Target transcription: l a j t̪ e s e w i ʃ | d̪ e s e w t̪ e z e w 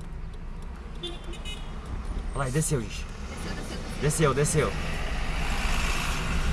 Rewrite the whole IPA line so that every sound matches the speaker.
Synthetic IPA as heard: l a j d̪ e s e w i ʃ | d̪ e s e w d̪ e s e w